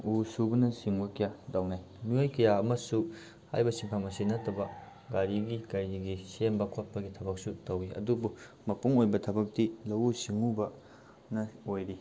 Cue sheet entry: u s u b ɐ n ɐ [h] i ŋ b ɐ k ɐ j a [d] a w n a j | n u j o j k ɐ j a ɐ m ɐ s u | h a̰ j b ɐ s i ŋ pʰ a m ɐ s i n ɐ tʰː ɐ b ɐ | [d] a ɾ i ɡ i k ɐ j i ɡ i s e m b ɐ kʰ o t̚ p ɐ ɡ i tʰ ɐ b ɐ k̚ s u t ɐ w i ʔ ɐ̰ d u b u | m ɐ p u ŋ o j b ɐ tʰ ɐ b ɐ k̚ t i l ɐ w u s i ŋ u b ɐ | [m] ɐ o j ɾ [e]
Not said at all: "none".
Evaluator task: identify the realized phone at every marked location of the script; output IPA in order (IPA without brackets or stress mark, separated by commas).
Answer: s, d, ɡ, n, i